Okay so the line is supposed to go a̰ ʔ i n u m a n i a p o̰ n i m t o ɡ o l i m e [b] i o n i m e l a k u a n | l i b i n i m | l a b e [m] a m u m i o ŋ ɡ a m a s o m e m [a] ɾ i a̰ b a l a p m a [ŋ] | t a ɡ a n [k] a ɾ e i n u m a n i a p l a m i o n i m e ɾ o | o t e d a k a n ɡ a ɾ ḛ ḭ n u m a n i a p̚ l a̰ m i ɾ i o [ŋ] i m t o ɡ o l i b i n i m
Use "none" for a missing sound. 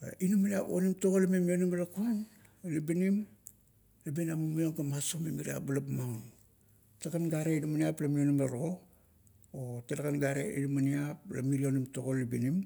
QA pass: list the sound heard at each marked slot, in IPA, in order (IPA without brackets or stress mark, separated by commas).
m, n, i, ŋ, ɡ, n